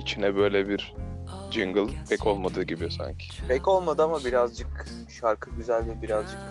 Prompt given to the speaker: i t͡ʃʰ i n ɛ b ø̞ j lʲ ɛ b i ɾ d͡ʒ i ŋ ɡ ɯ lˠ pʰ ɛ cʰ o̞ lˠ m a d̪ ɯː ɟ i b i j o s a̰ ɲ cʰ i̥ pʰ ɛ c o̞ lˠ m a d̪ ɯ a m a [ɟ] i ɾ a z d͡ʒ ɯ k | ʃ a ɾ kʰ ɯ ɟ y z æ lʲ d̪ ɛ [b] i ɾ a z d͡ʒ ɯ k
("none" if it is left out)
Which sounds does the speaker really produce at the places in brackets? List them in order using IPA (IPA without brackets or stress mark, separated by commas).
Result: b, b